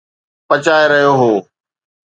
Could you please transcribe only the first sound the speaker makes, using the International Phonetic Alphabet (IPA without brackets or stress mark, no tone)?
p